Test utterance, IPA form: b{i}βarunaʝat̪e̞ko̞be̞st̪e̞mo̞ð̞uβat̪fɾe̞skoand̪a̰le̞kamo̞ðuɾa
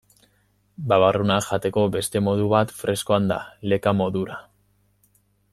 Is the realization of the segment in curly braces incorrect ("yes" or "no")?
yes